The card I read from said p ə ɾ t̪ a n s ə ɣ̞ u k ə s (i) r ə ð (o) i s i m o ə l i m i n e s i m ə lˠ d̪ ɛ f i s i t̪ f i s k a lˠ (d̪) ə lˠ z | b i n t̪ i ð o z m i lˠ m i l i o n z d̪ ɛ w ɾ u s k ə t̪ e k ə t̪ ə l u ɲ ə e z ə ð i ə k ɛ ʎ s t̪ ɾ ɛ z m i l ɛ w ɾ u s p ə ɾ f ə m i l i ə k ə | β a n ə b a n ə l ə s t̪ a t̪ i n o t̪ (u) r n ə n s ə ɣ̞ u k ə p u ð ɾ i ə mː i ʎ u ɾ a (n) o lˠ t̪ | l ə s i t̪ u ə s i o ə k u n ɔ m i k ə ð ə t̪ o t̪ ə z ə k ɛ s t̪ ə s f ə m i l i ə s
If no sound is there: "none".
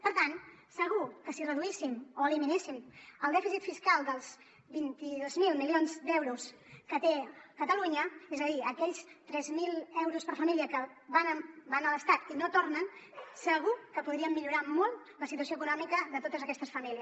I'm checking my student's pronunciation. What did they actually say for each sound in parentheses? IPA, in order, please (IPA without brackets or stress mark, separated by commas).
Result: i, u, d̪, o, m